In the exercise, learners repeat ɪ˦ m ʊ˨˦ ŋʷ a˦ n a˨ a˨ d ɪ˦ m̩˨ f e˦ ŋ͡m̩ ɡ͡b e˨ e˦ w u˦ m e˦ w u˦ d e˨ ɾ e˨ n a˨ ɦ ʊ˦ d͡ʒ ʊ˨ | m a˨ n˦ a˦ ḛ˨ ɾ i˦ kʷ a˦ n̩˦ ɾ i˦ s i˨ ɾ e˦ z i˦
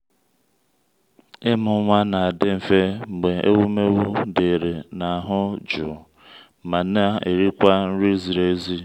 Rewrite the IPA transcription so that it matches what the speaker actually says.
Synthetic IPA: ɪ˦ m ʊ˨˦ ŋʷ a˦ n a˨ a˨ d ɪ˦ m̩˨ f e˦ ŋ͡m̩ ɡ͡b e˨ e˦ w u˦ m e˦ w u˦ d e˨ ɾ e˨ n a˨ ɦ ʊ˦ d͡ʒ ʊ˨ | m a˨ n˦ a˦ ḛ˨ ɾ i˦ kʷ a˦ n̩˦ ɾ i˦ z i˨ ɾ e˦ z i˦